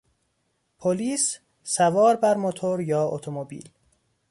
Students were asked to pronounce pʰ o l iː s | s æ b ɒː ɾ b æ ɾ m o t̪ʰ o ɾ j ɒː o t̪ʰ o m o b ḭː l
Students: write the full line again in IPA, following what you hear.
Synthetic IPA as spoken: pʰ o l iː s | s æ v ɒː ɾ b æ ɾ m o t̪ʰ o ɾ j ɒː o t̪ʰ o m o b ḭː l